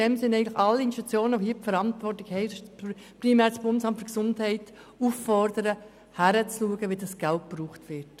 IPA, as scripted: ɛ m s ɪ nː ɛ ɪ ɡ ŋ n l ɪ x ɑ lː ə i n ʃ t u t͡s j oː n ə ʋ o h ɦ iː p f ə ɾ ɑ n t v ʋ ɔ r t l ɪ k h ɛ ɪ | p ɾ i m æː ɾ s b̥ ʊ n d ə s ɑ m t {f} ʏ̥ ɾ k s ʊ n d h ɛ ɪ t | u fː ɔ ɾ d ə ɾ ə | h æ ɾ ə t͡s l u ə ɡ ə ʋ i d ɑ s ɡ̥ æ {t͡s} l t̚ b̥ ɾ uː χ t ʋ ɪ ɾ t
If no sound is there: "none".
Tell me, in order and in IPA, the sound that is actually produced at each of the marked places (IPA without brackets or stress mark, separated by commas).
f, none